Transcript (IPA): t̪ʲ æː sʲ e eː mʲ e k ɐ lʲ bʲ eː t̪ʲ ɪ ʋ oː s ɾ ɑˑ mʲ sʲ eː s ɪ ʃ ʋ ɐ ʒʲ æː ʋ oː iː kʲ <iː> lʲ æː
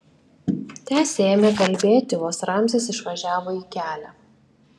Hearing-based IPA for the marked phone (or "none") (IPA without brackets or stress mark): æː